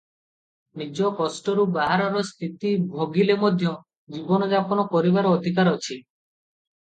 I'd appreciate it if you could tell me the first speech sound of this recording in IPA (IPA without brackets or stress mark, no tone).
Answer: n